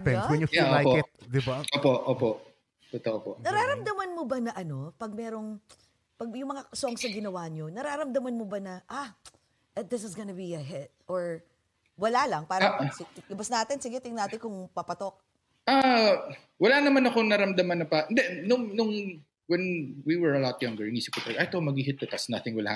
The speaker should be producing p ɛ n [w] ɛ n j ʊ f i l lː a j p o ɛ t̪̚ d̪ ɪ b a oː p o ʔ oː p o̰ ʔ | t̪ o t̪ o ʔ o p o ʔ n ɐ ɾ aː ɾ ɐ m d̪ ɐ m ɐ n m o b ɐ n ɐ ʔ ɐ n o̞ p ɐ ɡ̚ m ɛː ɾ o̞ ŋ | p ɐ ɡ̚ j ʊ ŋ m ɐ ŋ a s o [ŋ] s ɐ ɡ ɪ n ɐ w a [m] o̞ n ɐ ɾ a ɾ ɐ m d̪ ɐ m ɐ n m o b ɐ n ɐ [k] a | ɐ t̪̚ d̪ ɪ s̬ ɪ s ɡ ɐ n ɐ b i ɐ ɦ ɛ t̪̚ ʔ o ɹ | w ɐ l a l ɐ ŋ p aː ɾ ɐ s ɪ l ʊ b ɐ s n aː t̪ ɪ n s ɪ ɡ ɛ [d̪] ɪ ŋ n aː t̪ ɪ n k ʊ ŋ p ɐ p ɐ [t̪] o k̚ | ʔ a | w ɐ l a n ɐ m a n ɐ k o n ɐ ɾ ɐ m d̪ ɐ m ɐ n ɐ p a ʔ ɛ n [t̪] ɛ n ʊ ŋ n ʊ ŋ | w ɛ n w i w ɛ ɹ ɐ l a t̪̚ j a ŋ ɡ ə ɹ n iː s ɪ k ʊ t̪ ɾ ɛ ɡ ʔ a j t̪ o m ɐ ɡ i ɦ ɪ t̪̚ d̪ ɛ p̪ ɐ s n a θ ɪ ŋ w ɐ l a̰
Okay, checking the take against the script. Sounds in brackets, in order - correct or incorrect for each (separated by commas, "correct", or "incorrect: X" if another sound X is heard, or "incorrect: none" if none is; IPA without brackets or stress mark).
correct, correct, incorrect: ɲ, incorrect: ʔ, incorrect: t̪, correct, incorrect: d̪